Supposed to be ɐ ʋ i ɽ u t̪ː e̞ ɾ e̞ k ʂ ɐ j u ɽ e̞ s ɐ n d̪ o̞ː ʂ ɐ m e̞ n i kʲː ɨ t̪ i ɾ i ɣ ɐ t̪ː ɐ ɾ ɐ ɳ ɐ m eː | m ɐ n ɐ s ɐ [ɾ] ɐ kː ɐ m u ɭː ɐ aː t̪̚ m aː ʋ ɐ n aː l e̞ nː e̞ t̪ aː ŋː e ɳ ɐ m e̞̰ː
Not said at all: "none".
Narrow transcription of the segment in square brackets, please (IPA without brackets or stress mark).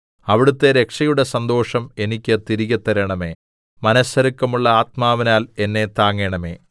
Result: ɾ